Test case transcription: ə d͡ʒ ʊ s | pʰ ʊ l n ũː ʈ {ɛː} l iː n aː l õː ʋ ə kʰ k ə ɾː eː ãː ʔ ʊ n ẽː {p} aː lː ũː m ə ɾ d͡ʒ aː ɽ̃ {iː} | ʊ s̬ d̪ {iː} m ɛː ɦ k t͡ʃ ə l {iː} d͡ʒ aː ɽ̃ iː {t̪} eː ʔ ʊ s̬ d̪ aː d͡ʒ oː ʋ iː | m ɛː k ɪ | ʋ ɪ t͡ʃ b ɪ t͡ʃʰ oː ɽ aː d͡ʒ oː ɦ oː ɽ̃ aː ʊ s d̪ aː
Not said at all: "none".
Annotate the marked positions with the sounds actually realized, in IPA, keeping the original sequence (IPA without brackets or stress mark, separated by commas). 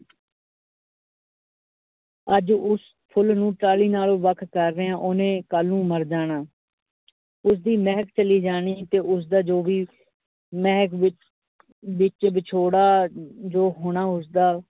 aː, k, aː, iː, iː, t̪